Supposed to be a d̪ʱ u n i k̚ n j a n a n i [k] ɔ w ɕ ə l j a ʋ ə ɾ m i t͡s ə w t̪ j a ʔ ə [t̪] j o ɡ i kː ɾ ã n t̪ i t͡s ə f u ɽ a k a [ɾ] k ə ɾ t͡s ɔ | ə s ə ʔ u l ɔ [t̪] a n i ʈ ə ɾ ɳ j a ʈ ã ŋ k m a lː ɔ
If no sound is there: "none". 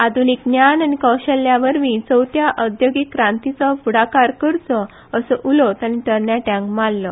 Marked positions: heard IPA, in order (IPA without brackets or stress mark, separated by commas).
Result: k, d̪, ɾ, t̪